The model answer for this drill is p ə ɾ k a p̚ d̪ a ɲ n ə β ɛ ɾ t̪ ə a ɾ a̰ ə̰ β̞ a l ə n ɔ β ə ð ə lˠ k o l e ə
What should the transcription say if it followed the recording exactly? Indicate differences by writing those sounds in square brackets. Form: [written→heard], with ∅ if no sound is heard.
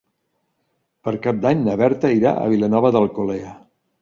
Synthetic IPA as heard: p ə ɾ k a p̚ d̪ a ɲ n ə β ɛ ɾ t̪ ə [a→i] ɾ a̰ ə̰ β̞ [a→i] l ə n ɔ β ə ð ə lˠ k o l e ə